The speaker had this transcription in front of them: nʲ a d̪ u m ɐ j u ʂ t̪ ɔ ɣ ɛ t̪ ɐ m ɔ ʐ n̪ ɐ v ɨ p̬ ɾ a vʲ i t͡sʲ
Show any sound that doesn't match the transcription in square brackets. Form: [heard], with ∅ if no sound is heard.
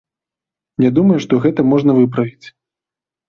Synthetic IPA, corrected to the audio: nʲ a d̪ u m ɐ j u ʂ t̪ ɔ ɣ ɛ t̪ ɐ m ɔ ʐ n̪ ɐ v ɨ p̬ ɾ [ɐ] vʲ i t͡sʲ